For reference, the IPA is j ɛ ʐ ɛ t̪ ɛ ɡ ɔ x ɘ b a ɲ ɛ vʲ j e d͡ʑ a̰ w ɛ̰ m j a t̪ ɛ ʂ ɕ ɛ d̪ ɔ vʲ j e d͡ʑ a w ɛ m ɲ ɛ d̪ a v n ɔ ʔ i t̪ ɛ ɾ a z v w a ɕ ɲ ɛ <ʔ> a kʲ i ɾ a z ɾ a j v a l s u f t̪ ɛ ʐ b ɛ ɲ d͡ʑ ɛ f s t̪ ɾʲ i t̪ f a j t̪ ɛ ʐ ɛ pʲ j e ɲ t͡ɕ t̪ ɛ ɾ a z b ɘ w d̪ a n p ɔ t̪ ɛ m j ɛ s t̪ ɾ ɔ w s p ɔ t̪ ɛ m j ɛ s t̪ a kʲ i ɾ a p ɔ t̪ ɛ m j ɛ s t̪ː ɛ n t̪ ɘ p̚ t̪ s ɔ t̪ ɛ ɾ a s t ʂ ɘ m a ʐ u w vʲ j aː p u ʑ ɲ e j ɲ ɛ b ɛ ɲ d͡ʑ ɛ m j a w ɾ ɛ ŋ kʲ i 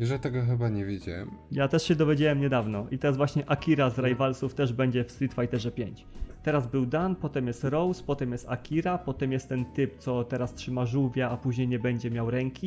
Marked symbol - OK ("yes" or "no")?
yes